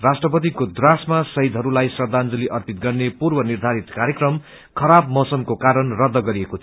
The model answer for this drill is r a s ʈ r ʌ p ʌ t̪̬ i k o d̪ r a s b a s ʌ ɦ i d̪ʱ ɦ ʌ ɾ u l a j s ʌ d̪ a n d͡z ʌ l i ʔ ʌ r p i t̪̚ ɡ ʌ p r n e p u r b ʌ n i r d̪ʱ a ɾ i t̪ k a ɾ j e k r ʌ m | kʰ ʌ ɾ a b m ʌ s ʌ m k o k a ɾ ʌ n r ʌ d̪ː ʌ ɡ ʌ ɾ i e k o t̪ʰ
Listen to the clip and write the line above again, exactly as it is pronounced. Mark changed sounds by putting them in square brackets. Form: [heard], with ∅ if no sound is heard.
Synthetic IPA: r a s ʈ r ʌ p ʌ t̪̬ i k o d̪ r a s [m] a s ʌ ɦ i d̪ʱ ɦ ʌ ɾ u l a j s ʌ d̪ a n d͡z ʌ l i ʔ ʌ r p i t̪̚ ɡ ʌ [∅] r n e p u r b ʌ n i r d̪ʱ a ɾ i t̪ k a ɾ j e k r ʌ m | kʰ ʌ ɾ a b m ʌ s ʌ m k o k a ɾ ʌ n r ʌ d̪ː ʌ ɡ ʌ ɾ i e k o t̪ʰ